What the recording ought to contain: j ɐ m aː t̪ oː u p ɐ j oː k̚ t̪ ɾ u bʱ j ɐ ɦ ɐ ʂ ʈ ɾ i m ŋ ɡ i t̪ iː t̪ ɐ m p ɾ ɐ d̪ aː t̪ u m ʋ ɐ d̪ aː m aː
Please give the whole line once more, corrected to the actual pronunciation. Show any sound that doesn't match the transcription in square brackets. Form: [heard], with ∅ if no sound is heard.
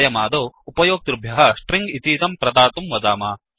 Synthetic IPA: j ɐ m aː [d̪] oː u p ɐ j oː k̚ t̪ ɾ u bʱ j ɐ ɦ ɐ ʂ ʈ ɾ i [∅] ŋ ɡ i t̪ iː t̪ ɐ m p ɾ ɐ d̪ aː t̪ u m ʋ ɐ d̪ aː m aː